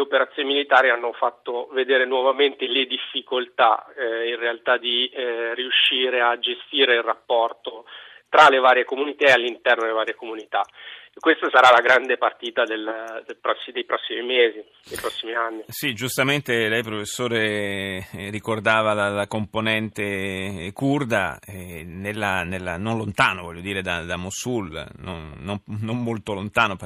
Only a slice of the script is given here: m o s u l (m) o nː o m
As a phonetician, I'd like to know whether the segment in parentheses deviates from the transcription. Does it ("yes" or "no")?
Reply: yes